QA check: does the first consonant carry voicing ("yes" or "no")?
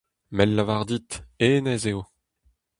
yes